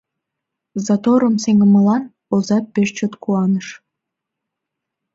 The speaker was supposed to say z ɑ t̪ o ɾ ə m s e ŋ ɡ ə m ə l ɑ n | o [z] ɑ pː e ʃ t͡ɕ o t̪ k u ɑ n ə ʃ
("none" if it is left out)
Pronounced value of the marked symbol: z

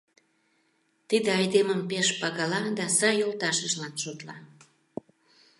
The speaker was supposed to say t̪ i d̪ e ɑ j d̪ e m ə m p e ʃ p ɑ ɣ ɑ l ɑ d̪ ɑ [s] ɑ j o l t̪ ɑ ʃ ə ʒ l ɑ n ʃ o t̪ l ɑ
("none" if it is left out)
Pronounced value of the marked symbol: s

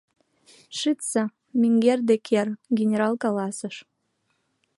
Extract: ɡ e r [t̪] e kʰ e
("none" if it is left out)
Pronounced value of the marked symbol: d̪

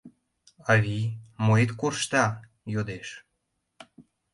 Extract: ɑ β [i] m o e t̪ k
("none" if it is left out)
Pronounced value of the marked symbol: i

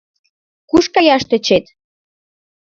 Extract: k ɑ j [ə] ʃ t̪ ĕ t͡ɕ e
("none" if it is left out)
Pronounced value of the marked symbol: ɑ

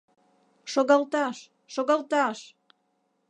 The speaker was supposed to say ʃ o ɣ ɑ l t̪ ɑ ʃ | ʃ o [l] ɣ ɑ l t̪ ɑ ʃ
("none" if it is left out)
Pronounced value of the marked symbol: none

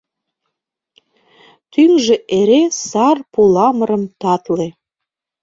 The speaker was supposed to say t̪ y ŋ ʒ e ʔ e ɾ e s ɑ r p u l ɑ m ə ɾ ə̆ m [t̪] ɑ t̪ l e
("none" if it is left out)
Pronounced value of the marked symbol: t̪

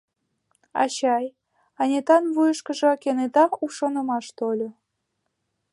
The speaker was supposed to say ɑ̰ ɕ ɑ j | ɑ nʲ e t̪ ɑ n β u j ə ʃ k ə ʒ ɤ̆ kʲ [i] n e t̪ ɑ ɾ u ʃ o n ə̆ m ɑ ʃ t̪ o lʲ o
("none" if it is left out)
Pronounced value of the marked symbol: e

